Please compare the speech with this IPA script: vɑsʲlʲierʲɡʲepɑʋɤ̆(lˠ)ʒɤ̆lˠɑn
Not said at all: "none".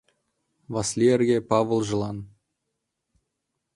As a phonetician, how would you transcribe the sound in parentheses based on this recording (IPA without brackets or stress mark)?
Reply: lˠ